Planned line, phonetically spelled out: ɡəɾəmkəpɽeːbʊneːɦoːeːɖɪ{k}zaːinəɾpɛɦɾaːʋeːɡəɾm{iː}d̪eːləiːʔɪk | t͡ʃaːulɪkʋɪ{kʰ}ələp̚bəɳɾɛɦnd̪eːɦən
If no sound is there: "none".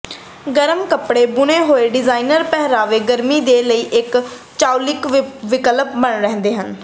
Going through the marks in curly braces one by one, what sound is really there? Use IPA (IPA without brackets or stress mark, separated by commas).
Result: none, iː, k